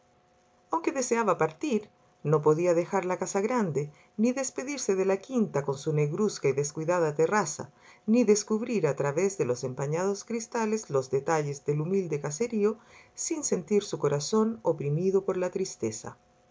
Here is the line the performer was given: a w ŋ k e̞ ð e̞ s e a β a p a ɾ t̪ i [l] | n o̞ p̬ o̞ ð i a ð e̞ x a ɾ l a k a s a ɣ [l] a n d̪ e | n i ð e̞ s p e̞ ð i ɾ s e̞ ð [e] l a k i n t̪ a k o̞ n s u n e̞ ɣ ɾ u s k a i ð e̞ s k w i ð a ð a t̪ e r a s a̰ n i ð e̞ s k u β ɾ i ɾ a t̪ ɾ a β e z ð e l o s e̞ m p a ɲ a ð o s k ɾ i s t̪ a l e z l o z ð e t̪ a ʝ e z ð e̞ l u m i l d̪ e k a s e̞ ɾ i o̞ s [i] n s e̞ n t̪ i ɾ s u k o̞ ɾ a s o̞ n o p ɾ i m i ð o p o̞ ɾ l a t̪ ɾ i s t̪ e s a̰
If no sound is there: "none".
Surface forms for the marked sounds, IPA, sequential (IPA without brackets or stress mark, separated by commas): ɾ, ɾ, e, i